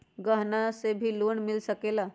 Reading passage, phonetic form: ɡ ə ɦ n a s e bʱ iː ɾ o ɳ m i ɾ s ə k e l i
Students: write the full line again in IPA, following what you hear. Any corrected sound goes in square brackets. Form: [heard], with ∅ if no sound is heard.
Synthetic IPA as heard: ɡ ə ɦ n a s e bʱ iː [l] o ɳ m i [l] s ə k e l [a]